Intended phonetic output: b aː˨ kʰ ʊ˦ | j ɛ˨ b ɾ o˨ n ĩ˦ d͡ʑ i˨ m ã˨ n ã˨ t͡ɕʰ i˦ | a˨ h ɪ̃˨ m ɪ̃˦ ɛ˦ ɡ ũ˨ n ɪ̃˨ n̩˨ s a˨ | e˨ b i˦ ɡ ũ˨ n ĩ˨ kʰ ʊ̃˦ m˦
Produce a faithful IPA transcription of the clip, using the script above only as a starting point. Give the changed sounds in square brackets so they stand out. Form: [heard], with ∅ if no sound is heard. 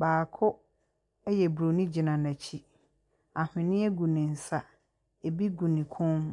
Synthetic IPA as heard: b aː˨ kʰ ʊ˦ | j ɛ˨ b ɾ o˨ n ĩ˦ d͡ʑ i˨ [n] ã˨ n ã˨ t͡ɕʰ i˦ | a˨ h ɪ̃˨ [n] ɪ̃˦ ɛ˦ ɡ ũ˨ n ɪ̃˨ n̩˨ s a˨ | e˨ b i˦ ɡ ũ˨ n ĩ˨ kʰ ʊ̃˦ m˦